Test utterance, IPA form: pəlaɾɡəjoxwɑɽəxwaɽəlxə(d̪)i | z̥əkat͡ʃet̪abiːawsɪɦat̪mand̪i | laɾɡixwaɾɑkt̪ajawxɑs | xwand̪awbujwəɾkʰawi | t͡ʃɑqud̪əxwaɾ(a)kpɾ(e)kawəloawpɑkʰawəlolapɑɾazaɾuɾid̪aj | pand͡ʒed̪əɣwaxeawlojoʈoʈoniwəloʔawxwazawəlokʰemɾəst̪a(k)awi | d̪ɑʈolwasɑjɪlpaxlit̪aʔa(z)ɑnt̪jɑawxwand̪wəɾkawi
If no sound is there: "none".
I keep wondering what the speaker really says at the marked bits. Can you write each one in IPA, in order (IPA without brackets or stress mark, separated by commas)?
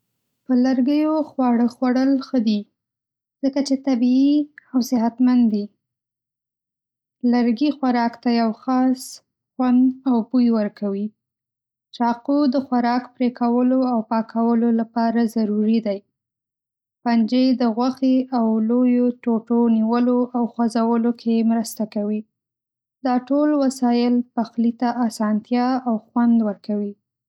d̪, ɑ, e, k, s